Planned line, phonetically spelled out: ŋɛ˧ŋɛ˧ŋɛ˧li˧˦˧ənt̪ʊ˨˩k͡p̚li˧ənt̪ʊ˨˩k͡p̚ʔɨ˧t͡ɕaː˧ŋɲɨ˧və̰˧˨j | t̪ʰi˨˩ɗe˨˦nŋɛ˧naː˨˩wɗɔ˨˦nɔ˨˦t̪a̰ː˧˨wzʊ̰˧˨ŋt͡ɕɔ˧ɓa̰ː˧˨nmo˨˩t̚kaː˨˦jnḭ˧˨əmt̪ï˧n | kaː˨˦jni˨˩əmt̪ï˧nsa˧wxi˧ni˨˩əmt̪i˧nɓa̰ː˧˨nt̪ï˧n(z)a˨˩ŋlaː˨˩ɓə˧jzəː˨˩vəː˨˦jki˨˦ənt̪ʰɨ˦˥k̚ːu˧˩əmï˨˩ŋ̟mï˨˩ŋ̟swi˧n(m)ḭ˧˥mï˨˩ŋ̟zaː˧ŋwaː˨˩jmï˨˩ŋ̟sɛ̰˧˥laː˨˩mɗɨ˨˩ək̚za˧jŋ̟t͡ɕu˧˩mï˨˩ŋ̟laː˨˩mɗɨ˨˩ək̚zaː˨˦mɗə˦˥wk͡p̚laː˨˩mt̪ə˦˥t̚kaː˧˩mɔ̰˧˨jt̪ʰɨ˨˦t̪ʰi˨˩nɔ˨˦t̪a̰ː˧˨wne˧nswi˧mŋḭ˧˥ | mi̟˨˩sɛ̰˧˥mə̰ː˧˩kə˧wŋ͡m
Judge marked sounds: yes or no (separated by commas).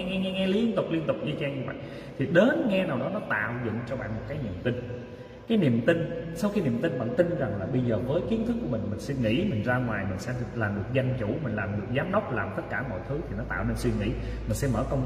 yes, no